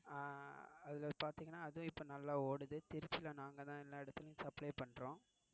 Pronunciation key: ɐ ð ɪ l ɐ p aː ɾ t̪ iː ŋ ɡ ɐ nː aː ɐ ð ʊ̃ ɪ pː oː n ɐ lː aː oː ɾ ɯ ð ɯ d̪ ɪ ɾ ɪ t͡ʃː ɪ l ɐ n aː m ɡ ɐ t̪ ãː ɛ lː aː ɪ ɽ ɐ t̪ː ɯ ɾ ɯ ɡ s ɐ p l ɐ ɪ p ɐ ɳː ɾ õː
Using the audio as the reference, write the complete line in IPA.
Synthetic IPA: ɐ ð ɪ l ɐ p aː ɾ t̪ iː ŋ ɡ ɐ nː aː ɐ ð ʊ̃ ɪ pː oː n ɐ lː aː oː ɽ ɯ ð ɯ t̪ ɪ ɾ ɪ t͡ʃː ɪ l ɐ n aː ŋ ɡ ɐ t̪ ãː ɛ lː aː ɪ ɽ ɐ t̪ː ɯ l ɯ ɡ s ɐ p l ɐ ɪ p ɐ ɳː ɾ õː